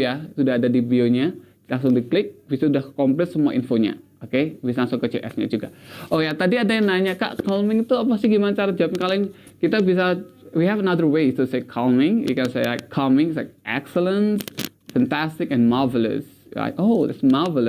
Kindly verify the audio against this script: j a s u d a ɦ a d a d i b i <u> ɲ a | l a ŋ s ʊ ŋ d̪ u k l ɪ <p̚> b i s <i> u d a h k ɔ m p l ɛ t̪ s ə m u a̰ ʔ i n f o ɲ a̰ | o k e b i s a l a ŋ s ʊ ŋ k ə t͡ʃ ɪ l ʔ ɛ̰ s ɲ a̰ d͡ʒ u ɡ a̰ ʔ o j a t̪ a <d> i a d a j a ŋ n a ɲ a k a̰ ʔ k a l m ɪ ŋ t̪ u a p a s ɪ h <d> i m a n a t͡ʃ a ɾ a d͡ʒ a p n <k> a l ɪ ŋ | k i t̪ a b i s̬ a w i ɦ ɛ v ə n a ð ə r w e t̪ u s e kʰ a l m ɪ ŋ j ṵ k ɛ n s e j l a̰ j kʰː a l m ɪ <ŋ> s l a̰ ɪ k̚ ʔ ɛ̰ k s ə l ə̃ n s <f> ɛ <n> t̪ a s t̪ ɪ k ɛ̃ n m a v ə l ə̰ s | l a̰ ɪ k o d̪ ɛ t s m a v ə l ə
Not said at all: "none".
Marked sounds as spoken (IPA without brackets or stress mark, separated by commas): o, k̚, a, d, ɡ, k, ŋ, f, n